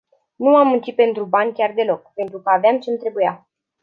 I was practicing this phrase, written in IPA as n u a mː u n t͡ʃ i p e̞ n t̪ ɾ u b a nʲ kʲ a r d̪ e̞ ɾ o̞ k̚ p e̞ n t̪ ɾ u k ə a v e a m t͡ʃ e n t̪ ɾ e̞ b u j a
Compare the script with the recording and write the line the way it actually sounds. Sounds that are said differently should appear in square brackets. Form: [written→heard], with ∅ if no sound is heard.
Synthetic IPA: n u a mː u n t͡ʃ i p e̞ n t̪ ɾ u b a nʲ kʲ a r d̪ e̞ [ɾ→l] o̞ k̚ p e̞ n t̪ ɾ u k ə a v e a m t͡ʃ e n t̪ ɾ e̞ b u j a